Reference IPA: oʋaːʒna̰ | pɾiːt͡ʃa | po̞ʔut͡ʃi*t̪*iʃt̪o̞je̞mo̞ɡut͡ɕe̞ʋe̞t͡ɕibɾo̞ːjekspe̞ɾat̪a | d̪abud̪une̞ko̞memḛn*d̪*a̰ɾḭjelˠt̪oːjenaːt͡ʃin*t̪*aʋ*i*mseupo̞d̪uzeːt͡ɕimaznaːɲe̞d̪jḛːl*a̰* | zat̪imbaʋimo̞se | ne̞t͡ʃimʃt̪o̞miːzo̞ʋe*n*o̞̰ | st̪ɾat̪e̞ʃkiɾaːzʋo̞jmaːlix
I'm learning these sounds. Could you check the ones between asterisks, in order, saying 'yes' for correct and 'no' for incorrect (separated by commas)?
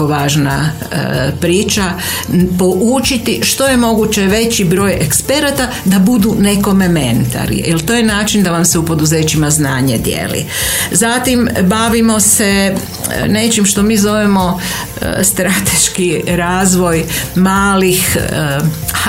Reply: yes, no, no, no, no, no